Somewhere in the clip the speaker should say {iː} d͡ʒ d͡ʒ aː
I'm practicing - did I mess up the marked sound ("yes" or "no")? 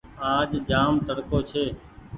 yes